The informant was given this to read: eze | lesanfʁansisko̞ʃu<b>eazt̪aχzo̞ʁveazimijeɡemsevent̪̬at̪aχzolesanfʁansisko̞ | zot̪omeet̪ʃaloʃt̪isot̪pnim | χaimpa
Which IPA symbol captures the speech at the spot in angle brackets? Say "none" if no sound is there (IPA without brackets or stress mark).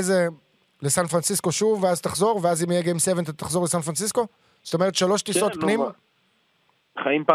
v